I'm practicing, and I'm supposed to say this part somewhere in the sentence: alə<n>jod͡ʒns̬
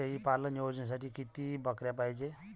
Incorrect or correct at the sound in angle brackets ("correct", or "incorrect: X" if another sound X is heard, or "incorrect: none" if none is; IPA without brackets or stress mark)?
correct